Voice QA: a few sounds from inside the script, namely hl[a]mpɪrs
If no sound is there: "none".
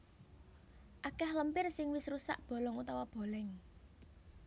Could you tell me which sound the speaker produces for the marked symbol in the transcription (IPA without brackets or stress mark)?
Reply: ə